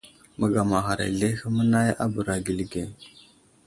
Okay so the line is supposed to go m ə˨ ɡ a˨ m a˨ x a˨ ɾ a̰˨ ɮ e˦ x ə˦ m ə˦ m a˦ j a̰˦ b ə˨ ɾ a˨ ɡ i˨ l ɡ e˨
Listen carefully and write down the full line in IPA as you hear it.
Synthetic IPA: m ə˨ ɡ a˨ m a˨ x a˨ ɾ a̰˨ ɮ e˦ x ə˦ m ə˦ n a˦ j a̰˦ b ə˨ ɾ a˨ ɡ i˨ l ɡ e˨